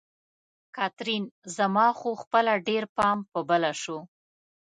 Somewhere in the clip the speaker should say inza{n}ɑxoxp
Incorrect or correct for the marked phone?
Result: incorrect: m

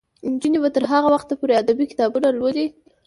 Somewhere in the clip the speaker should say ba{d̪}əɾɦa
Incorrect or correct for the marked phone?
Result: incorrect: t̪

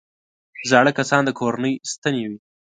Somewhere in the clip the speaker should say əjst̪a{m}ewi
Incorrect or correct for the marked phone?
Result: incorrect: n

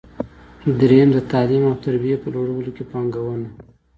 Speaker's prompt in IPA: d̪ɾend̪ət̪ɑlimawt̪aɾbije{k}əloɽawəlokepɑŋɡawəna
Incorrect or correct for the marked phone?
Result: incorrect: p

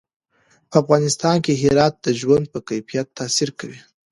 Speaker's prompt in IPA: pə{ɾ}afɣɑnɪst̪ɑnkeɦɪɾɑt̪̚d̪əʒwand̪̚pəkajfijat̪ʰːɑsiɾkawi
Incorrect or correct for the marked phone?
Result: incorrect: none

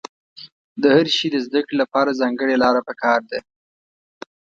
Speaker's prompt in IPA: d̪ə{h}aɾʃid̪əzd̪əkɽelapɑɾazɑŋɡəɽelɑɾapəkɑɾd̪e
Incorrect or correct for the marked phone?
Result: correct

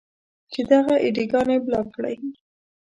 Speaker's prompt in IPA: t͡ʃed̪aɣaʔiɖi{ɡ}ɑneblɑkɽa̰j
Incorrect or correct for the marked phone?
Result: correct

